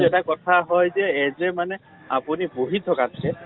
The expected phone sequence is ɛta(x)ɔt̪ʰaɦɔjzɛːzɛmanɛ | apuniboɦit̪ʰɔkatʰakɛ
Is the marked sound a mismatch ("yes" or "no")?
yes